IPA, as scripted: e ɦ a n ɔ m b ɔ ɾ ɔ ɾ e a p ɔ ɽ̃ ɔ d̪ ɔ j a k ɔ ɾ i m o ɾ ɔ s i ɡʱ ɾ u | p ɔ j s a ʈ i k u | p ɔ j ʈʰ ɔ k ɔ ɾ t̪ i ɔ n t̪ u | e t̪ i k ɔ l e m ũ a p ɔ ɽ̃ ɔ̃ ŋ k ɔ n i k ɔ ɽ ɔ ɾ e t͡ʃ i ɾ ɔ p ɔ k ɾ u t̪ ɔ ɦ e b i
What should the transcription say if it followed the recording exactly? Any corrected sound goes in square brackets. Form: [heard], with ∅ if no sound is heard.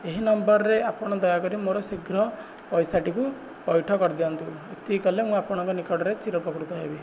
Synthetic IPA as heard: e ɦ [i] n ɔ m b ɔ ɾ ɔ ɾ e a p ɔ ɽ̃ ɔ d̪ ɔ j a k ɔ ɾ i m o ɾ ɔ s i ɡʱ ɾ [ɔ] | p ɔ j s a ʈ i k u | p ɔ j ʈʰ ɔ k ɔ ɾ [d̪] i ɔ n t̪ u | e t̪ i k ɔ l e m ũ a p ɔ ɽ̃ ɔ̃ ŋ k ɔ n i k ɔ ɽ ɔ ɾ e t͡ʃ i ɾ ɔ p ɔ k ɾ u t̪ ɔ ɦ e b i